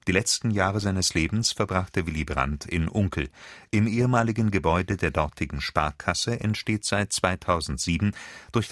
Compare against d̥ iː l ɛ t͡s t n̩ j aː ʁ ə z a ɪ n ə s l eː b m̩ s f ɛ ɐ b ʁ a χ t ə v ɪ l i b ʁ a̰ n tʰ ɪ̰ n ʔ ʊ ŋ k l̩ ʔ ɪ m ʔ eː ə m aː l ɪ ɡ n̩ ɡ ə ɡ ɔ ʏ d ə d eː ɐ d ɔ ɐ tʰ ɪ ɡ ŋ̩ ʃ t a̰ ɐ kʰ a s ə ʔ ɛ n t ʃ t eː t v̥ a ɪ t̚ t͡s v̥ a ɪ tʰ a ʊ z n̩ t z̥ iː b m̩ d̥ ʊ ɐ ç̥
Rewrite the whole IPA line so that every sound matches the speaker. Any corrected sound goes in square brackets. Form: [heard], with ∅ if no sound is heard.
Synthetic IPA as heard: d̥ iː l ɛ t͡s t n̩ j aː ʁ ə z a ɪ n ə s l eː b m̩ s f ɛ ɐ b ʁ a χ t ə v ɪ l i b ʁ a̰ n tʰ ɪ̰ n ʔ ʊ ŋ k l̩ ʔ ɪ m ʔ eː ə m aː l ɪ ɡ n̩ ɡ ə [b] ɔ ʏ d ə d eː ɐ d ɔ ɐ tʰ ɪ ɡ ŋ̩ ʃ [p] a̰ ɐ kʰ a s ə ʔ ɛ n t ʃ t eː t [z̥] a ɪ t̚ t͡s v̥ a ɪ tʰ a ʊ z n̩ t z̥ iː b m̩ d̥ ʊ ɐ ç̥